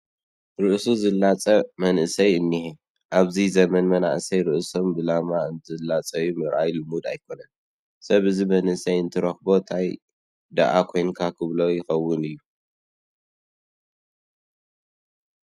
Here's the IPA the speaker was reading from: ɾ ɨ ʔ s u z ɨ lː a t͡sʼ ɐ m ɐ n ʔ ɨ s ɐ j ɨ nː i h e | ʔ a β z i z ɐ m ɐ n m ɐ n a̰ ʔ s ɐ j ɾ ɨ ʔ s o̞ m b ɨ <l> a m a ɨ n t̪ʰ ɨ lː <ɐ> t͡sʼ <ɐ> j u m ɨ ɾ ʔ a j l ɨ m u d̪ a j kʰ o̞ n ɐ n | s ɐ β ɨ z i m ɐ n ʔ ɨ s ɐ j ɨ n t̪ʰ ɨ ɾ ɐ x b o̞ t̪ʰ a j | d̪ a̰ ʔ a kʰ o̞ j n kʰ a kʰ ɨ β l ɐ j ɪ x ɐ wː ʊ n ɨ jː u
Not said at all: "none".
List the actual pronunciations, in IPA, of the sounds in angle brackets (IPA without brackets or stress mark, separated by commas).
l, a, ɐ